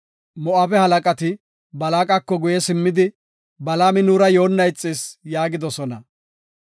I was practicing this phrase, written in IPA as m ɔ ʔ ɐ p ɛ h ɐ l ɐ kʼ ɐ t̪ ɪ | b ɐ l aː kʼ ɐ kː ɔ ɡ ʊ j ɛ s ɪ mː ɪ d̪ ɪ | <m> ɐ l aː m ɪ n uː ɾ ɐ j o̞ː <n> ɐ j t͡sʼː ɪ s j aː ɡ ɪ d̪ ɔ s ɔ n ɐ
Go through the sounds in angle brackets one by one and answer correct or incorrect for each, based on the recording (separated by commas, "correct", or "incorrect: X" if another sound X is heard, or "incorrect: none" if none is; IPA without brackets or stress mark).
incorrect: b, incorrect: nː